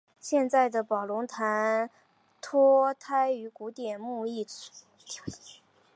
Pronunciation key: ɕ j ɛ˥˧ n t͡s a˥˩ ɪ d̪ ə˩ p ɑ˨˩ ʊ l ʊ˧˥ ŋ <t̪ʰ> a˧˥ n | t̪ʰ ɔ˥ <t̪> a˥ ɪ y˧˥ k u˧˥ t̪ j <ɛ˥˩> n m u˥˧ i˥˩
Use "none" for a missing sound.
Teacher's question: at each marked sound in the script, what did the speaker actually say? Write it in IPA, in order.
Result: t̪ʰ, t̪ʰ, ɛ˨˩

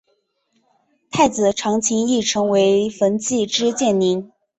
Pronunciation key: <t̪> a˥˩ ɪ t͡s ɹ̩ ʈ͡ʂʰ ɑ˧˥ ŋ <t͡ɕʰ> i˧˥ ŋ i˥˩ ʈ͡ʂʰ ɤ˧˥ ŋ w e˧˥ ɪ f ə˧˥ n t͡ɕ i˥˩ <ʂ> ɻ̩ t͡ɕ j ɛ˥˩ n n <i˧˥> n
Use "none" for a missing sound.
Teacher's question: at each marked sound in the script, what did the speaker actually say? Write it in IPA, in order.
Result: t̪ʰ, t͡ɕʰ, ʈ͡ʂ, i˧˥

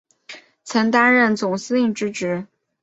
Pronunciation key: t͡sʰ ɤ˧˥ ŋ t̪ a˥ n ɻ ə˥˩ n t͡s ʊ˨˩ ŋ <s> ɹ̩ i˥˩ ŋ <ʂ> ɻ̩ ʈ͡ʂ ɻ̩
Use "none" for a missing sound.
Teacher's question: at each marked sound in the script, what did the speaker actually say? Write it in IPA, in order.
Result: s, ʈ͡ʂ

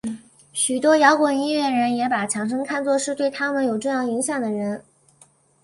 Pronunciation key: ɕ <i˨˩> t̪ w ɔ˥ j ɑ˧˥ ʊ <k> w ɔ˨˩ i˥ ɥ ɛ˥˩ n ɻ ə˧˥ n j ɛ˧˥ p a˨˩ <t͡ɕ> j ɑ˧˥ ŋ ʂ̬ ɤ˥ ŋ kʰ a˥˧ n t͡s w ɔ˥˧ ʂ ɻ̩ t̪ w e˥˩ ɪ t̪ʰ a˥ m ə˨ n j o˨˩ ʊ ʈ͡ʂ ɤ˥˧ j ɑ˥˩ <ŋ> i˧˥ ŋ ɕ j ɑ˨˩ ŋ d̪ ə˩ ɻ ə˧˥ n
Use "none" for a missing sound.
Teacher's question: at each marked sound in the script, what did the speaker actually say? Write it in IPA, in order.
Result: y˨˩, k, t͡ɕʰ, ŋ

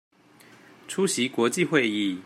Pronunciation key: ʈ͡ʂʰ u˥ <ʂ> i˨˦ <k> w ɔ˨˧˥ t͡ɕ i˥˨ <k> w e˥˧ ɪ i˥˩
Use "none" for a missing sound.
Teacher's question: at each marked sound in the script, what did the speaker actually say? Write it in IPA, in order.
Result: ɕ, k, x

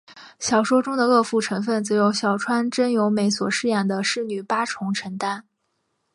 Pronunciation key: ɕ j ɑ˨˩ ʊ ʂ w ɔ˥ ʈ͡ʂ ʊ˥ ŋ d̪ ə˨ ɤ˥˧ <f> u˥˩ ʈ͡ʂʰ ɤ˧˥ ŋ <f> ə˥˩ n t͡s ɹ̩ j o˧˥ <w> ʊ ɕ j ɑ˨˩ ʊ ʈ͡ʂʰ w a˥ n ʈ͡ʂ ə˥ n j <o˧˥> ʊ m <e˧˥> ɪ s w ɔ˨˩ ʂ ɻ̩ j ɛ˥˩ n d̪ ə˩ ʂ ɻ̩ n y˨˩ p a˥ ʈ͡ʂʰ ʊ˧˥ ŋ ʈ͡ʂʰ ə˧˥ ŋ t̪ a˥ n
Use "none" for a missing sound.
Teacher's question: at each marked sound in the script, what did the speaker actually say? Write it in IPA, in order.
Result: f, f, none, o˧˥, e˧˥

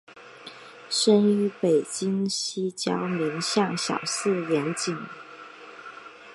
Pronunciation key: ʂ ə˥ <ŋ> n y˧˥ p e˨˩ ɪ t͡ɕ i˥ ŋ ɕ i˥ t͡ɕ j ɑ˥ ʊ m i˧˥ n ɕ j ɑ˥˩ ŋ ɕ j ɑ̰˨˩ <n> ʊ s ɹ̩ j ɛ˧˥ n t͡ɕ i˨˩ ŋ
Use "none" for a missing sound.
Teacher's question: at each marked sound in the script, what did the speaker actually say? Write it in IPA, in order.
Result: none, none

